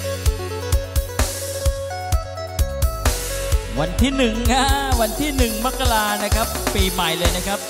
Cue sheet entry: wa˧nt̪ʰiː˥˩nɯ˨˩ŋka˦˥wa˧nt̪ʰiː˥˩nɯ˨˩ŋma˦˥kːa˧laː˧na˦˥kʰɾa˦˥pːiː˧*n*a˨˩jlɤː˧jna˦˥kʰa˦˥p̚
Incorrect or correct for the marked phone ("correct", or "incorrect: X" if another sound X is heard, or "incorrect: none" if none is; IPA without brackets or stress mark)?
incorrect: m